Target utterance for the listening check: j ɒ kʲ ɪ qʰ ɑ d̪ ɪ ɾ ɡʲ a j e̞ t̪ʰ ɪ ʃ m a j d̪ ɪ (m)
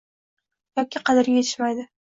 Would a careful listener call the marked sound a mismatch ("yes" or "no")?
yes